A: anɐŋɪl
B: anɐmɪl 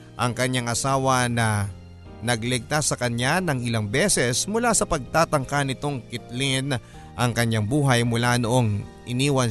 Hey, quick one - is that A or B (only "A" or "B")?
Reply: A